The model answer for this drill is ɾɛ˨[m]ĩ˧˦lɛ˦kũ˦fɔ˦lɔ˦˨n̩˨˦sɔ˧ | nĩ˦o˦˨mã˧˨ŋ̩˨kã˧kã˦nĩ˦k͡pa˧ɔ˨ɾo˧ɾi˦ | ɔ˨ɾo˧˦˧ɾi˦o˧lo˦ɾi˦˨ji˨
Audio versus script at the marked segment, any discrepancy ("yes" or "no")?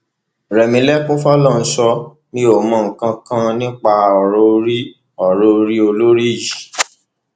no